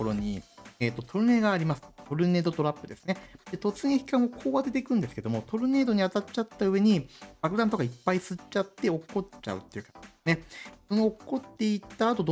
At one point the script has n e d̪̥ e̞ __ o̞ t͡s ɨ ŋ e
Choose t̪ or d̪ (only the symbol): t̪